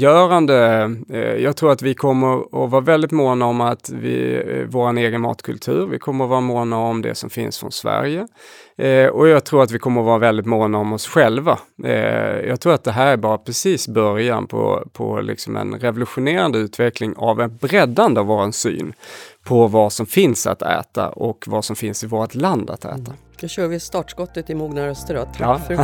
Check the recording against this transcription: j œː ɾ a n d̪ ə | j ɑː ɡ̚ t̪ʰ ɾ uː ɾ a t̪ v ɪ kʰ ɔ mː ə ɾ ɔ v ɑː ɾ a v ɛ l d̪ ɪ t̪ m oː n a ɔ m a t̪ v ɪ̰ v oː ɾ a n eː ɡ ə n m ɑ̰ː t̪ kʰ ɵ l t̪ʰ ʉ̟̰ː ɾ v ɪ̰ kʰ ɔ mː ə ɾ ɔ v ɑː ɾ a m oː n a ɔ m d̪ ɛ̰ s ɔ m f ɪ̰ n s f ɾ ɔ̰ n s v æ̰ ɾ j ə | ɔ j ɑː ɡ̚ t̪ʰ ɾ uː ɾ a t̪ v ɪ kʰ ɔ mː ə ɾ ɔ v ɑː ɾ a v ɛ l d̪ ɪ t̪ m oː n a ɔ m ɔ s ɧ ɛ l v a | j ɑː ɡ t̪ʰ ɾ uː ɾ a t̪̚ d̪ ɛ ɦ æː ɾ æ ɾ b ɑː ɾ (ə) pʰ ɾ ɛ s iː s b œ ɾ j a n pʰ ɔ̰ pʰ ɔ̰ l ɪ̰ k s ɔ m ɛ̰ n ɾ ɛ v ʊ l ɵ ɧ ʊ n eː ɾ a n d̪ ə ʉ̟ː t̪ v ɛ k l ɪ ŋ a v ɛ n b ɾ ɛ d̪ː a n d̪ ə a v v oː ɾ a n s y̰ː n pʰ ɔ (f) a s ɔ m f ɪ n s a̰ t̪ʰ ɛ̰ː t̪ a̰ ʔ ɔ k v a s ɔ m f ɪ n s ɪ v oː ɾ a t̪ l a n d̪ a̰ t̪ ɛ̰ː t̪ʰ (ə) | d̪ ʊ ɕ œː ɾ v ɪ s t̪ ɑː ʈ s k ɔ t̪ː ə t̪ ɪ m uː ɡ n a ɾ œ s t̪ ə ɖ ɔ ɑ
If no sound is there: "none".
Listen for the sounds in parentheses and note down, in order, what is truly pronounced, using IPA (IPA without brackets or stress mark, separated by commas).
a, v, a